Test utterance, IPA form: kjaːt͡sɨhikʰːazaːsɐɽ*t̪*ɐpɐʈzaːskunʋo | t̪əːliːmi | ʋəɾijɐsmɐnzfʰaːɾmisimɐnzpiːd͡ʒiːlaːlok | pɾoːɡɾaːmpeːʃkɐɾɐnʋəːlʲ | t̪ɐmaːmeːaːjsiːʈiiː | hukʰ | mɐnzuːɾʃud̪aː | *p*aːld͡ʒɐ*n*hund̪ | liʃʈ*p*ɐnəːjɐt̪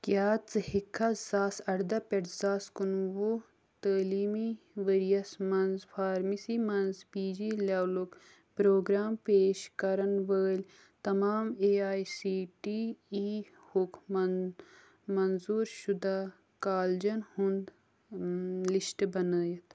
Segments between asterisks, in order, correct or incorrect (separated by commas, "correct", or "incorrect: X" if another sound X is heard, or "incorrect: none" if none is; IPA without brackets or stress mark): incorrect: d̪, incorrect: k, correct, incorrect: b